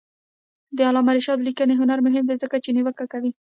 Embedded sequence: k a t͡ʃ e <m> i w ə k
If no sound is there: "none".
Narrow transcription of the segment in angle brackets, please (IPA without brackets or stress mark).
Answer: n